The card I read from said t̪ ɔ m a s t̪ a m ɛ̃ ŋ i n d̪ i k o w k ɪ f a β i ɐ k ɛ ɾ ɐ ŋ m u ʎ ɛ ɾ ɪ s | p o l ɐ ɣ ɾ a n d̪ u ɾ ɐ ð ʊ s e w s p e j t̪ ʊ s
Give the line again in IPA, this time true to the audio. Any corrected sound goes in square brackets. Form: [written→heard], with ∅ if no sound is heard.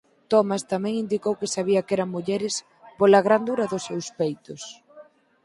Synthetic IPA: t̪ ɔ m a s t̪ a m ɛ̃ ŋ i n d̪ i k o w k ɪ [f→s] a β i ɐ k ɛ ɾ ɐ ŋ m u ʎ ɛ ɾ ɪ s | p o l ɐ ɣ ɾ a n d̪ u ɾ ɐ ð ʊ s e w s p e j t̪ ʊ s